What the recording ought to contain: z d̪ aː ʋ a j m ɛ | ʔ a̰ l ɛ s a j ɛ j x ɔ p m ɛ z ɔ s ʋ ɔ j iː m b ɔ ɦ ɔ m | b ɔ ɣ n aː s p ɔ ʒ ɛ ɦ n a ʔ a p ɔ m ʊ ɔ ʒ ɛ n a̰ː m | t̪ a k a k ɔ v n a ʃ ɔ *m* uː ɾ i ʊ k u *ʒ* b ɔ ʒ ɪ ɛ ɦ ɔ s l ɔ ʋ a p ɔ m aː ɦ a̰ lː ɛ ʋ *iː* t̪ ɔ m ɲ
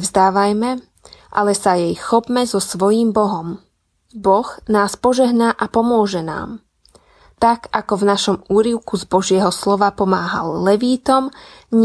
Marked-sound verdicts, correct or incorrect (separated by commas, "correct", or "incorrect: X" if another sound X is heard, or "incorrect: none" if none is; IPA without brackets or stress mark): correct, incorrect: z, correct